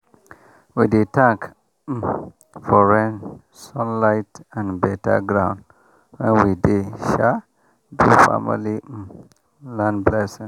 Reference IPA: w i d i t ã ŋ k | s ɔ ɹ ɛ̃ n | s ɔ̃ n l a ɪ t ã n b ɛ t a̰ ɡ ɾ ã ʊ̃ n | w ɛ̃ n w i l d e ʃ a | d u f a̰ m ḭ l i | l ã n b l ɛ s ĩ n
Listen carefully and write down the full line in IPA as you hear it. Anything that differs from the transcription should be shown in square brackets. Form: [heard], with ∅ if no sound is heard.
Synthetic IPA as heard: w i d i t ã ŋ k | [f] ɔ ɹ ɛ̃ n | s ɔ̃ n l a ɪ t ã n b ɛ t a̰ ɡ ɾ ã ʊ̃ n | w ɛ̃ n w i [∅] d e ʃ a | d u f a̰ m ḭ l i | l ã n b l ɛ s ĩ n